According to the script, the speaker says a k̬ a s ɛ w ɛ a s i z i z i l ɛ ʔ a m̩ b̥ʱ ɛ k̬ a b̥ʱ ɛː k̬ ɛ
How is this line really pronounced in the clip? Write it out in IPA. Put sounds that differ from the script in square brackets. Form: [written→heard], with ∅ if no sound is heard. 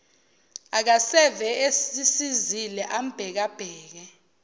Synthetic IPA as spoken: a k̬ a s ɛ [w→v] ɛ [a→e] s i [z→s] i z i l ɛ ʔ a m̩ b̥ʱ ɛ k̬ a b̥ʱ ɛː k̬ ɛ